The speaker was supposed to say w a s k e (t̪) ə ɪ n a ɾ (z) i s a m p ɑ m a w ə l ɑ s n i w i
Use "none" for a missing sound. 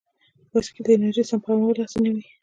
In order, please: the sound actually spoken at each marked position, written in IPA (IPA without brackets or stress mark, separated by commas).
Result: d̪, ʒ